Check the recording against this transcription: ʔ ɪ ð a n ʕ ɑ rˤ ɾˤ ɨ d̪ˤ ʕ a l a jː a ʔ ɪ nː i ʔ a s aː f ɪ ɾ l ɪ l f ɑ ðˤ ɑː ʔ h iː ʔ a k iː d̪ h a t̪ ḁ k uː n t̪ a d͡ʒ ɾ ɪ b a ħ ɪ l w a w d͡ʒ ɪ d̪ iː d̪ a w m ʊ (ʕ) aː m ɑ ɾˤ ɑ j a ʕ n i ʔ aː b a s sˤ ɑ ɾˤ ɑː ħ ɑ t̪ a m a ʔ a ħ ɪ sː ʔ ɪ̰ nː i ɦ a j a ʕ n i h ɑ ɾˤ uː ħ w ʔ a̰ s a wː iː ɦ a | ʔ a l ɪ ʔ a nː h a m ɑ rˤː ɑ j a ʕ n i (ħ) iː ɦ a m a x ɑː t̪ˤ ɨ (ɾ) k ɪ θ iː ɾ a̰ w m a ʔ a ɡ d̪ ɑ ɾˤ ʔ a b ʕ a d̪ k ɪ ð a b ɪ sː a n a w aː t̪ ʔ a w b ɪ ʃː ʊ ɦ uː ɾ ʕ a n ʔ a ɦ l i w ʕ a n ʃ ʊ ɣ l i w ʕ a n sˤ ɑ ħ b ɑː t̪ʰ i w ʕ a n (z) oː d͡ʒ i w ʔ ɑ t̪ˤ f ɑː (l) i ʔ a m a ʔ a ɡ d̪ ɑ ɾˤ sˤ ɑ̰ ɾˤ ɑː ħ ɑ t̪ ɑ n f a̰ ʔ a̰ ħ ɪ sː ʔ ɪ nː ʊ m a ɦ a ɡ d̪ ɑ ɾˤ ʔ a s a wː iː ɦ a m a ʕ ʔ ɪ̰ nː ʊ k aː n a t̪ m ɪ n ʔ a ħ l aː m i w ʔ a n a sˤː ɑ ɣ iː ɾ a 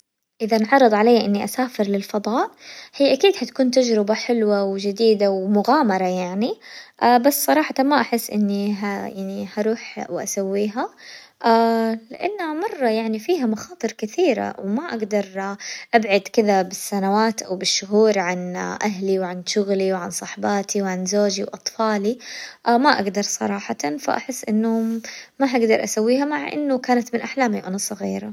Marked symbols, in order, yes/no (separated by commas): no, no, yes, yes, yes